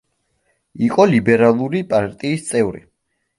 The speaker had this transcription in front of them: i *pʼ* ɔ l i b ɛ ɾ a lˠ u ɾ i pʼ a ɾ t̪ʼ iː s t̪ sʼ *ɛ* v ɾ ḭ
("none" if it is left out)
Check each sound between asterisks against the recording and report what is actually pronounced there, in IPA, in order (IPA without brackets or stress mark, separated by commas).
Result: qʼ, ɛ